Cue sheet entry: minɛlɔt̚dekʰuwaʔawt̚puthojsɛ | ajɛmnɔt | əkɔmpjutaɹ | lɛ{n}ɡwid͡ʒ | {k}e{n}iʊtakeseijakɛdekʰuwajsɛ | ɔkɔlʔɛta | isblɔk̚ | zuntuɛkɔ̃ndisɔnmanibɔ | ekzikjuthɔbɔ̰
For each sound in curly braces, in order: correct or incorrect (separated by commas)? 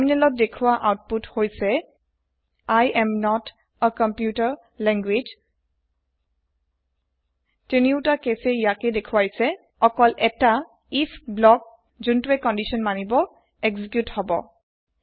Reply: incorrect, incorrect, correct